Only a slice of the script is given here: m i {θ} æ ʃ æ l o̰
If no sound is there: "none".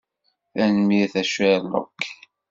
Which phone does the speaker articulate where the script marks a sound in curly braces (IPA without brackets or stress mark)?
θ